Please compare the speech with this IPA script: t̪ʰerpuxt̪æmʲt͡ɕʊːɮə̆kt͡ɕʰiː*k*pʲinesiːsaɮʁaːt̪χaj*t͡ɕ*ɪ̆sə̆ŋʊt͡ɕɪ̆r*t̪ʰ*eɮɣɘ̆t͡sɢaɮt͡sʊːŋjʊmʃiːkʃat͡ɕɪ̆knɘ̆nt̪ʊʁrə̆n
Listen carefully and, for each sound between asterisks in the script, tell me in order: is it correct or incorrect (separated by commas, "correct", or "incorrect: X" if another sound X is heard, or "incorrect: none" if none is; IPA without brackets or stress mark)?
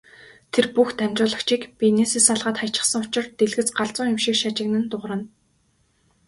correct, correct, incorrect: t̪